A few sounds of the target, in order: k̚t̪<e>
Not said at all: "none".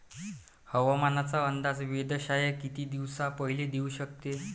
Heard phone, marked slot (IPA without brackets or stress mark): e